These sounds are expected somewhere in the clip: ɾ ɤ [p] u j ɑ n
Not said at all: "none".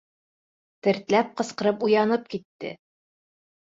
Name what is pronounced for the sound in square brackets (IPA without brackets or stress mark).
p